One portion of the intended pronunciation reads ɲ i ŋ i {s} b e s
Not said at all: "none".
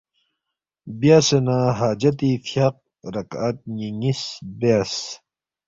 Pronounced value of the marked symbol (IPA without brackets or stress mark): s